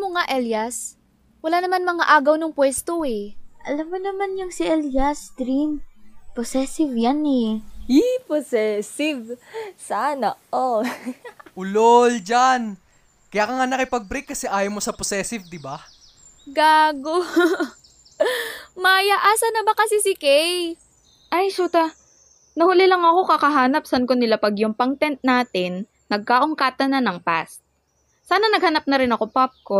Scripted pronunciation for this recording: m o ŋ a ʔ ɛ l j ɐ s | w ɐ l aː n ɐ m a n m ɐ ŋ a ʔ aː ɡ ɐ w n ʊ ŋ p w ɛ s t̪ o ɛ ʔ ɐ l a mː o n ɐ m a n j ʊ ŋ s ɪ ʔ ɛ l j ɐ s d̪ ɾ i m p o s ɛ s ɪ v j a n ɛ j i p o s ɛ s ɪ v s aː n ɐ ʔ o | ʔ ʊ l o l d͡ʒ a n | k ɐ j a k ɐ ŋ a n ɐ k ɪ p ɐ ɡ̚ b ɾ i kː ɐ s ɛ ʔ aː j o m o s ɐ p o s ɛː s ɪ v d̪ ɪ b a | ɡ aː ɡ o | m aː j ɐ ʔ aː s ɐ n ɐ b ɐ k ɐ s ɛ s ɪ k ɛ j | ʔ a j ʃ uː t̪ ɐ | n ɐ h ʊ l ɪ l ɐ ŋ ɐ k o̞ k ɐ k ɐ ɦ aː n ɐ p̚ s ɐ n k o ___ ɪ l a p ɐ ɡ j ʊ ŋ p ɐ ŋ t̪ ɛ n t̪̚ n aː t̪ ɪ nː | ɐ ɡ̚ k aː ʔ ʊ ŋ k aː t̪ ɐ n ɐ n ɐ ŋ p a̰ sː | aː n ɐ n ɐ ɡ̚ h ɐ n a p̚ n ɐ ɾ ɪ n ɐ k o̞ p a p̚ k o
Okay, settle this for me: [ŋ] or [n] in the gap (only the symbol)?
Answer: n